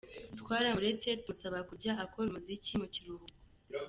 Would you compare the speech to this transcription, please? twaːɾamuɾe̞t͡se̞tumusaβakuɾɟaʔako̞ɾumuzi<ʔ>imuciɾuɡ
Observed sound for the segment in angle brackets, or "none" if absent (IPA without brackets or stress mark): c